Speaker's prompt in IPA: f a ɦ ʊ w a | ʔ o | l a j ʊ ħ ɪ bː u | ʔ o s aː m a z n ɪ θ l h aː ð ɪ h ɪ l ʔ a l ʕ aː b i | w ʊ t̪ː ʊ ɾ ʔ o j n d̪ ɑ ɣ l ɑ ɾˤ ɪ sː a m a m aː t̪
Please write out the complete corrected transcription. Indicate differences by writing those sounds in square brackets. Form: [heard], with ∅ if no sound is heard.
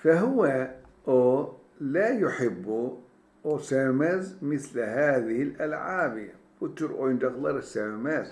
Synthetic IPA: f a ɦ ʊ w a | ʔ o | l a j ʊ ħ ɪ bː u | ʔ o s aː m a z [m] ɪ θ l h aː ð ɪ h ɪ l ʔ a l ʕ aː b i | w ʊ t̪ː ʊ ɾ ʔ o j n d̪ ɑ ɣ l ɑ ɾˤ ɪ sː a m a m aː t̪